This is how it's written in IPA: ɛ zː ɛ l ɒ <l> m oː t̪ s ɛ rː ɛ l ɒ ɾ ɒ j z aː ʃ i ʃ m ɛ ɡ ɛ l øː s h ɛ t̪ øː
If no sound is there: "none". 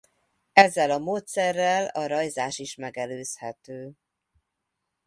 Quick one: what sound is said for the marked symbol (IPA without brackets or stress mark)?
none